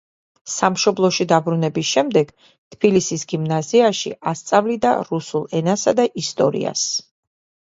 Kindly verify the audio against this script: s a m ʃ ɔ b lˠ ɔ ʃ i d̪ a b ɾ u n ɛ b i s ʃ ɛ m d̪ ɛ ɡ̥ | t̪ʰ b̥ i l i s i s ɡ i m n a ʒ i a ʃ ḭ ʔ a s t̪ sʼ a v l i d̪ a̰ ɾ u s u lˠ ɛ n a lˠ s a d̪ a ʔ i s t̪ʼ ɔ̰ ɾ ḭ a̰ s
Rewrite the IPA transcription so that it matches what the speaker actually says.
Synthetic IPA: s a m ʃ ɔ b lˠ ɔ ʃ i d̪ a b ɾ u n ɛ b i s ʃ ɛ m d̪ ɛ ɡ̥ | t̪ʰ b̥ i l i s i s ɡ i m n a z i a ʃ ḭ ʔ a s t̪ sʼ a v l i d̪ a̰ ɾ u s u lˠ ɛ n a s a d̪ a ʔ i s t̪ʼ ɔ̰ ɾ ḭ a̰ s